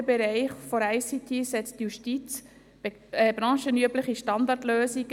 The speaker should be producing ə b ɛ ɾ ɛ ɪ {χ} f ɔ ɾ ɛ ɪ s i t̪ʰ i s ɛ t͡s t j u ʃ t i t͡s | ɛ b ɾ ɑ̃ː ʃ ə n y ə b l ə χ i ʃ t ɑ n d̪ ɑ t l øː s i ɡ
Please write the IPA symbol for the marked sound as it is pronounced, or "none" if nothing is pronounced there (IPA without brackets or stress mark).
χ